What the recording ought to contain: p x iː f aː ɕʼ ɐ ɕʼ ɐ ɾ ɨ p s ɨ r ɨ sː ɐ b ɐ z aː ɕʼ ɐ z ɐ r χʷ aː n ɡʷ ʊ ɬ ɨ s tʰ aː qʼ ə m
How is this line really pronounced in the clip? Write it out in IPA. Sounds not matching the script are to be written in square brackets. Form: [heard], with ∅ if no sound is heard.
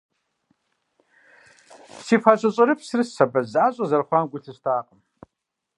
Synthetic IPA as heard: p [s] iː f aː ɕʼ ɐ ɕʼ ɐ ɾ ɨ p s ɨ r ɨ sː ɐ b ɐ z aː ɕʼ ɐ z ɐ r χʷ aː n ɡʷ ʊ ɬ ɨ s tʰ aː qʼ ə m